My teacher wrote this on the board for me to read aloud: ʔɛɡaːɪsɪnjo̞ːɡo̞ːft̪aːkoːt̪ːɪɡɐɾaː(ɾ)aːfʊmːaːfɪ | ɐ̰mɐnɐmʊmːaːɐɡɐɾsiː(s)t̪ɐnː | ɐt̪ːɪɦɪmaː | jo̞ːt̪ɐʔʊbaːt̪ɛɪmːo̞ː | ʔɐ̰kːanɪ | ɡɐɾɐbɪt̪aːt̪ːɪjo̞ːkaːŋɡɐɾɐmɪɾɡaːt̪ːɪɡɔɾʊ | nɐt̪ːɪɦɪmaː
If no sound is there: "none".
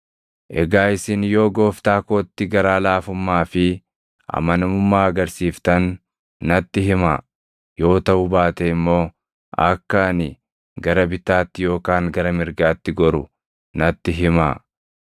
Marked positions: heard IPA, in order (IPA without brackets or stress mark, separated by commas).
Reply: l, f